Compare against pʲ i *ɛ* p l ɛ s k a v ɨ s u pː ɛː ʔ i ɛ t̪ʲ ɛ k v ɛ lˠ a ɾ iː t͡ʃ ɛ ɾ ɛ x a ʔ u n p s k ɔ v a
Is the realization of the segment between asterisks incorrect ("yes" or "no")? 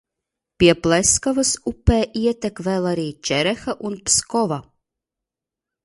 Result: no